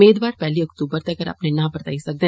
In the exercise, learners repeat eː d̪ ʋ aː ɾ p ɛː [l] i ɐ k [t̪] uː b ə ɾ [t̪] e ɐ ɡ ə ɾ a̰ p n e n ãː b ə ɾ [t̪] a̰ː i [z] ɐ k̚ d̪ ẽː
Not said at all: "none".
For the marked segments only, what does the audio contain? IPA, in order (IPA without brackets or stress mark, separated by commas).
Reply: l, t̪, t̪, t̪, s